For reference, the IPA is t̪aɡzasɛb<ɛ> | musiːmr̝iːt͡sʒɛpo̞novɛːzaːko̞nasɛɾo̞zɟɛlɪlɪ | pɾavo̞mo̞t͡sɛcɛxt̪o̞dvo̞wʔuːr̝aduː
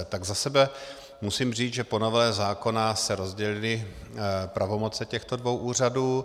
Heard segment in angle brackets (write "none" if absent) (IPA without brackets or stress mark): ɛ